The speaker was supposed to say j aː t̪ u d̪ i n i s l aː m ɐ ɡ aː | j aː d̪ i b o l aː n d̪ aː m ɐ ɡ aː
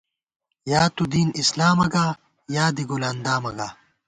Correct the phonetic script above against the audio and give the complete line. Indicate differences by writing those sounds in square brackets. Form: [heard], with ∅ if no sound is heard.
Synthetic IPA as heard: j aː t̪ u d̪ [iː] n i s l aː m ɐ ɡ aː | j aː d̪ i [ɡ] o l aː n d̪ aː m ɐ ɡ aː